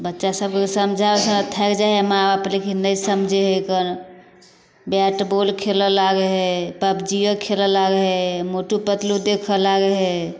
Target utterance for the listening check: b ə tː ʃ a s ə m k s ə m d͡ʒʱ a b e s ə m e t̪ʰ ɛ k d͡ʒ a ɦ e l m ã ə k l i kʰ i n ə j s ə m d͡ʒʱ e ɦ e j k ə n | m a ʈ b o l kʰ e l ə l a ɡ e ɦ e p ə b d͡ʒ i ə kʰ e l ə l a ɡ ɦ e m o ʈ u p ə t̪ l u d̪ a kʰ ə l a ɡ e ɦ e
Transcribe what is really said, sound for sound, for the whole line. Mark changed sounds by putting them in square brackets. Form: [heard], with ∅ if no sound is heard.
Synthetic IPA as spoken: b ə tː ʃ a s ə [b] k s ə m d͡ʒʱ a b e s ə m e t̪ʰ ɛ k d͡ʒ a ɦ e [∅] m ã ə [p] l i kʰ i n ə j s ə m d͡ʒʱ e ɦ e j k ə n | [b] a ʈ b o l kʰ e l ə l a ɡ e ɦ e p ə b d͡ʒ i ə kʰ e l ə l a ɡ ɦ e m o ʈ u p ə t̪ l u d̪ [e] kʰ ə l a ɡ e ɦ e

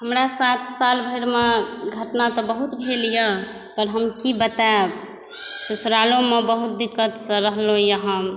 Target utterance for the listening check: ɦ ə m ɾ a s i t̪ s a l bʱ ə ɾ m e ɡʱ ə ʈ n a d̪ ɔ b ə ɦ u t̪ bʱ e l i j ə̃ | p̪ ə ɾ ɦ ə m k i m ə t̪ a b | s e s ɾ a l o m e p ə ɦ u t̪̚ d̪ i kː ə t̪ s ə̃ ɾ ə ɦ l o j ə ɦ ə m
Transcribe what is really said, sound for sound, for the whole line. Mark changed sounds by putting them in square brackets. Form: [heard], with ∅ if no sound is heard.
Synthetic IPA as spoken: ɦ ə m ɾ a s [a] t̪ s a l bʱ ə ɾ m e ɡʱ ə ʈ n a [t̪] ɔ b ə ɦ u t̪ bʱ e l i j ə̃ | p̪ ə ɾ ɦ ə m k i [b] ə t̪ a b | s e s ɾ a l o m e [b] ə ɦ u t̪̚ d̪ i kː ə t̪ s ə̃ ɾ ə ɦ l o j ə ɦ ə m

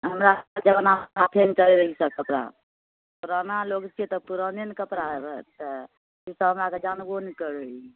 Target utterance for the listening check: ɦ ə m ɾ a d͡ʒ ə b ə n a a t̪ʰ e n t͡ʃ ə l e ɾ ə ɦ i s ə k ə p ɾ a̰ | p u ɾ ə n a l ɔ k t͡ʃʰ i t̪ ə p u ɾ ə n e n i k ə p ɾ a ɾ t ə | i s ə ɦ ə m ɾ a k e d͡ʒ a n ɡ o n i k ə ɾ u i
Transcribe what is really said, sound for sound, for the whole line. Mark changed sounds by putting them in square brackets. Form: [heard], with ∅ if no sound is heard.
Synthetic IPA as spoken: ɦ ə m ɾ a d͡ʒ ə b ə n a a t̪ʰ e n t͡ʃ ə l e ɾ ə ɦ i s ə k ə p ɾ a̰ | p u ɾ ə n a l [o] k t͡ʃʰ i t̪ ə p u ɾ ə n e n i k ə p ɾ a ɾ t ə | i s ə ɦ ə m ɾ a k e d͡ʒ a n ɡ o n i k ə ɾ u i

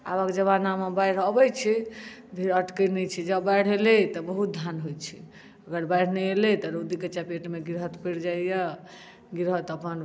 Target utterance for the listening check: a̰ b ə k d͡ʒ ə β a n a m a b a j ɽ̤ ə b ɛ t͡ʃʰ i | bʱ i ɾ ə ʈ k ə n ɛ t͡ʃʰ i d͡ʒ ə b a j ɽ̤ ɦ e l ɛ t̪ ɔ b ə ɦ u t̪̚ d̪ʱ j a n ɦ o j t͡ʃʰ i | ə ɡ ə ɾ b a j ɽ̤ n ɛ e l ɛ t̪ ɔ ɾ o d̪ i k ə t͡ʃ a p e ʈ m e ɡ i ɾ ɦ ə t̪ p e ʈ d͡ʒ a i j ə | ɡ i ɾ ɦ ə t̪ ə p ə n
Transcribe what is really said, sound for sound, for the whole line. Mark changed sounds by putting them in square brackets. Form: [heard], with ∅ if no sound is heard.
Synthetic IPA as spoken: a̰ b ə k d͡ʒ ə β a n a m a b a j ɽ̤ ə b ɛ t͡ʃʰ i | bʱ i ɾ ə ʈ k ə n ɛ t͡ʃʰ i d͡ʒ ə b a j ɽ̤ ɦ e l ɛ t̪ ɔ b ə ɦ u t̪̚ d̪ʱ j a n ɦ o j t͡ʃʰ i | ə ɡ ə ɾ b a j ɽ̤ n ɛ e l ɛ t̪ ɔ ɾ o d̪ i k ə t͡ʃ a p e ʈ m e ɡ i ɾ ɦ ə t̪ p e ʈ d͡ʒ a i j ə | ɡ i ɾ ɦ ə t̪ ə p ə n

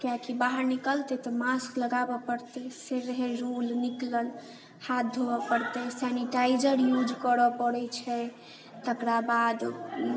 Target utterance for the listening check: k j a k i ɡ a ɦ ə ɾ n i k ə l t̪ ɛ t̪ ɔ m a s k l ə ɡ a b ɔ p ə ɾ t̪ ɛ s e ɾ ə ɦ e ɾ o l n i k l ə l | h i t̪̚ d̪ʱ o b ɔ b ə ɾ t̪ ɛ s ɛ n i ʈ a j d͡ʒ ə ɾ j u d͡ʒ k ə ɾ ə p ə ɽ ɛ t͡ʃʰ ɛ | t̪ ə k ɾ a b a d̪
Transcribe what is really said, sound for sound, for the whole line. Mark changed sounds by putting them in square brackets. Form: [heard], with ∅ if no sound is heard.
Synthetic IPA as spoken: k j a k i [b] a ɦ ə ɾ n i k ə l t̪ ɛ t̪ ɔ m a s k l ə ɡ a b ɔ p ə ɾ t̪ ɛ s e ɾ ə ɦ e ɾ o l n i k l ə l | h [a] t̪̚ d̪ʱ o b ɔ [p] ə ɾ t̪ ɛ s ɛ n i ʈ a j d͡ʒ ə ɾ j u d͡ʒ k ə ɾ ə p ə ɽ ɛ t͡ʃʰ ɛ | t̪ ə k ɾ a b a d̪

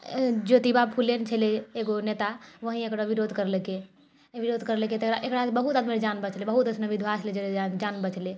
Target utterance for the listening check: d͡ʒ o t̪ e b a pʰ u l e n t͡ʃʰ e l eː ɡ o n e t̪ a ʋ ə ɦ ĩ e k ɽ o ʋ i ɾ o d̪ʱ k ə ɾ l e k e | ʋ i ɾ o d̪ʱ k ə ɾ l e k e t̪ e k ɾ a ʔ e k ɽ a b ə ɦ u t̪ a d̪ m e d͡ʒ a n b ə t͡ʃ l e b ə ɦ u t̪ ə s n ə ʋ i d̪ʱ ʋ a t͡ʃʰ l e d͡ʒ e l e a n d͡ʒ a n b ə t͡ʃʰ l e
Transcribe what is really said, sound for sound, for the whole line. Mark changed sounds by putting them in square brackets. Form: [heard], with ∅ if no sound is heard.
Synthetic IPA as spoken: d͡ʒ o t̪ [i] b a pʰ u l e n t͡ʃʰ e l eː ɡ o n e t̪ a ʋ ə ɦ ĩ e k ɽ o ʋ i ɾ o d̪ʱ k ə ɾ l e k e | ʋ i ɾ o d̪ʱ k ə ɾ l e k e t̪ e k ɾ a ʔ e k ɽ a b ə ɦ u t̪ a d̪ m e d͡ʒ a n b ə t͡ʃ l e b ə ɦ u t̪ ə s n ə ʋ i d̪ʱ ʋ a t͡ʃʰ l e d͡ʒ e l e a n d͡ʒ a n b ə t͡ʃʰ l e

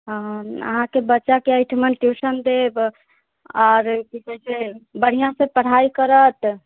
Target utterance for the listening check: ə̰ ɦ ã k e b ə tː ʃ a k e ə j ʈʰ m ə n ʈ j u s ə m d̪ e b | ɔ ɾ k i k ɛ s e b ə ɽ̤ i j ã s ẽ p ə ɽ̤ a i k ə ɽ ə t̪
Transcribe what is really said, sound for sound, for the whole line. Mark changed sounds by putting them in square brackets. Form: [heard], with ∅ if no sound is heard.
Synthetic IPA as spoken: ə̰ ɦ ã k e b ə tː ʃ a k e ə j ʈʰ m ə n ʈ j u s ə [n] d̪ e b | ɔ ɾ k i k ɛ s e b ə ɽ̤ i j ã s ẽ p ə ɽ̤ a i k ə [ɾ] ə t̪

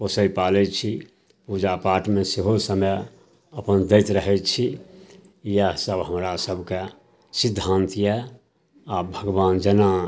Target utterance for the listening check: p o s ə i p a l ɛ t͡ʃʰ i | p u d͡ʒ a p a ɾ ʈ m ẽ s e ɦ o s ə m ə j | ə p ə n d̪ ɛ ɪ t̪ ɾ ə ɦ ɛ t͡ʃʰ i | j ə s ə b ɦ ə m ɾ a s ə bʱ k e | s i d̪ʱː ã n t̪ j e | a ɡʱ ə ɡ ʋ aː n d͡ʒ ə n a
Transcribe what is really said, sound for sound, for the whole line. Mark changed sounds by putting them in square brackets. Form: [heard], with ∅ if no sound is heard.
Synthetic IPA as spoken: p o s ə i p a l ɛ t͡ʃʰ i | p u d͡ʒ a p a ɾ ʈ m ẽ s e ɦ o s ə m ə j | ə p ə n d̪ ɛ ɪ t̪ ɾ ə ɦ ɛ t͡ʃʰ i | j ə s ə b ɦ ə m ɾ a s ə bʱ k e | s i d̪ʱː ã n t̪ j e | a [bʱ] ə ɡ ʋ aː n d͡ʒ ə n a

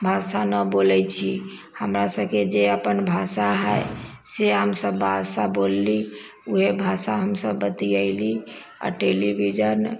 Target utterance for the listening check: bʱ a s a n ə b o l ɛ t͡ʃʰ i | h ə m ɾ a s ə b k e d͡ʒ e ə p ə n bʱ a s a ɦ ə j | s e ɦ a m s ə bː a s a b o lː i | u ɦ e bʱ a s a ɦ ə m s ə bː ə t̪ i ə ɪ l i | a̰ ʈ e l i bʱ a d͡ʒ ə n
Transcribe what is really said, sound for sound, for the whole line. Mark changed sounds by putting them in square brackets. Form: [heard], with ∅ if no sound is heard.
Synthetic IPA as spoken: bʱ a s a n ə b o l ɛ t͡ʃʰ i | h ə m ɾ a s ə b k e d͡ʒ e ə p ə n bʱ a s a ɦ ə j | s e ɦ [ə] m s ə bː a s a b o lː i | u ɦ e bʱ a s a ɦ ə m s ə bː ə t̪ i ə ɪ l i | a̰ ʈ e l i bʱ [i] d͡ʒ ə n

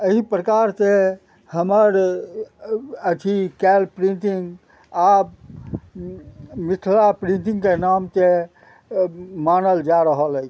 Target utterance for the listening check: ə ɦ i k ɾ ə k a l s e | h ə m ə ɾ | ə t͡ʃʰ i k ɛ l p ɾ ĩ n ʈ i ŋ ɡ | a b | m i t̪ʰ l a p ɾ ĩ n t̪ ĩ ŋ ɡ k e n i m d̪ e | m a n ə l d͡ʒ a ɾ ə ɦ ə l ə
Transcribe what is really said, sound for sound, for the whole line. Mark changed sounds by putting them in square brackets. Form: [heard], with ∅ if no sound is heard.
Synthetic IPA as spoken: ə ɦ i [p] ɾ ə k a [ɾ] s e | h ə m ə ɾ | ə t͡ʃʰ i k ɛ l p ɾ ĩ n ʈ i ŋ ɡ | a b | m i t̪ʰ l a p ɾ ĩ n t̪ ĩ ŋ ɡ k e n [a] m [t̪] e | m a n ə l d͡ʒ a ɾ ə ɦ ə l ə

